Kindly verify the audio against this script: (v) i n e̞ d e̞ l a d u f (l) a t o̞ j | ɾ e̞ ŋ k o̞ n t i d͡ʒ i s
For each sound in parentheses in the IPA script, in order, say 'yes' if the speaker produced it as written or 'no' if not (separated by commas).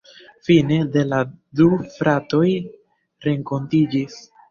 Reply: no, no